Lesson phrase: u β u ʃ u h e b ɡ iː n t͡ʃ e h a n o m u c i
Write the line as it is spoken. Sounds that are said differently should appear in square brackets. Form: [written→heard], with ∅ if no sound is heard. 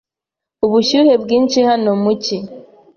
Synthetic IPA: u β u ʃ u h e b ɡ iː n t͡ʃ [e→i] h a n o m u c i